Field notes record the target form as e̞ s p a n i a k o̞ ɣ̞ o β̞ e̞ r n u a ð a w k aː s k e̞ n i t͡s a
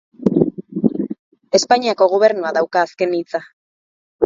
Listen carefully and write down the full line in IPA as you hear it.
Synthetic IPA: e̞ s p a ɲ i a k o̞ ɣ̞ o β̞ e̞ ɾ n u a ð a w k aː s k e̞ n i t͡s a